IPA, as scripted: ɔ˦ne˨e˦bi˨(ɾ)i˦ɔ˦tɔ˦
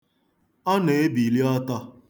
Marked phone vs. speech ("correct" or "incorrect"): incorrect